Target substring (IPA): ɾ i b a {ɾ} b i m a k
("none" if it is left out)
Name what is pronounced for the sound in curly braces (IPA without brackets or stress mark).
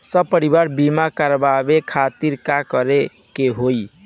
ɾ